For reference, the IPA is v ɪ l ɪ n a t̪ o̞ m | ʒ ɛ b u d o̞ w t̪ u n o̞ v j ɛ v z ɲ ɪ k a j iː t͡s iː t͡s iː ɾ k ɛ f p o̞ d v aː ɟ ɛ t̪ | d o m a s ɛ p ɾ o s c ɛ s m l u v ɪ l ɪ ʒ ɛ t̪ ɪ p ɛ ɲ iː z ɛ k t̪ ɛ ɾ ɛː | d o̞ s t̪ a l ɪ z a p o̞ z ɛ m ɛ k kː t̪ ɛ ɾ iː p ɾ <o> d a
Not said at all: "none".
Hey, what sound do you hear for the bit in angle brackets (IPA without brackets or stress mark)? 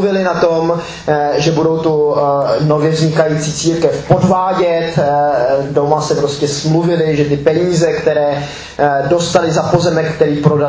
o